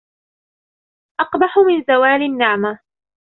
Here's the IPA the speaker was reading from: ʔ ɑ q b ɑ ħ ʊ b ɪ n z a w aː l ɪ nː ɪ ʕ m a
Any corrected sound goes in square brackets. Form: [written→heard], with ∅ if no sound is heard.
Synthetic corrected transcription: ʔ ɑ q b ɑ ħ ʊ [b→m] ɪ n z a w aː l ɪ nː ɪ ʕ m a